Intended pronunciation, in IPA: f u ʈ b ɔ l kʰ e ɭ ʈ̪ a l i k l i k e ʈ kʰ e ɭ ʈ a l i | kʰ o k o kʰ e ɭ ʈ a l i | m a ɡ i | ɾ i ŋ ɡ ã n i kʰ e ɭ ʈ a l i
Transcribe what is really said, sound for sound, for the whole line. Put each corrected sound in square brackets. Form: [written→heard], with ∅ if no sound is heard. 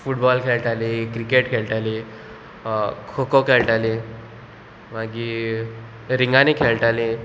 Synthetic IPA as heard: f u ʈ b ɔ l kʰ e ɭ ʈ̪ a l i k [l→ɾ] i k e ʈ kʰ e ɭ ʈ a l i | kʰ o k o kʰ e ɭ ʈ a l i | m a ɡ i | ɾ i ŋ ɡ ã n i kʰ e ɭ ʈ a l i